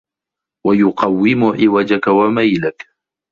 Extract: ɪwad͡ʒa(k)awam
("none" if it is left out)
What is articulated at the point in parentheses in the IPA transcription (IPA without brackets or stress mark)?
k